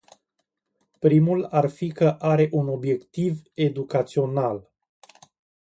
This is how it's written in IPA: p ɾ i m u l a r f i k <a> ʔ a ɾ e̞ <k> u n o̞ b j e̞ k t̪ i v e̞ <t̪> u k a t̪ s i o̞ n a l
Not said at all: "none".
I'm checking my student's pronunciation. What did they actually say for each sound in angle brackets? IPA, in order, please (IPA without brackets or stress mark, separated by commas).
ə, ʔ, d̪